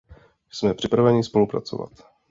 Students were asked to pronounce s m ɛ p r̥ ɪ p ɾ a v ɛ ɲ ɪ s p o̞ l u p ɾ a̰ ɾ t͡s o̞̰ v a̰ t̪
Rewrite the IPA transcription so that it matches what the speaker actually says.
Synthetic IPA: s m ɛ p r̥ ɪ p ɾ a v ɛ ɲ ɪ s p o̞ l u p ɾ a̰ t͡s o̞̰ v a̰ t̪